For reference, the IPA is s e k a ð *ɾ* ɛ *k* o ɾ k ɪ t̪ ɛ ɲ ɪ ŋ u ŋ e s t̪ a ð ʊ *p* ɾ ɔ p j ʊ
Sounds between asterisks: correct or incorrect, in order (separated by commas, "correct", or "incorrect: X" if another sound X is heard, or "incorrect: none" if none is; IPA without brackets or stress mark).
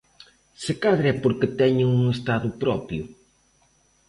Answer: correct, incorrect: p, correct